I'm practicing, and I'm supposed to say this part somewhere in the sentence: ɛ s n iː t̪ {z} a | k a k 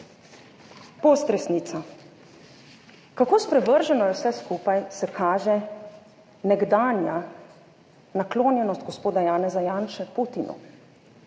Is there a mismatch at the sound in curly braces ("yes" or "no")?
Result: yes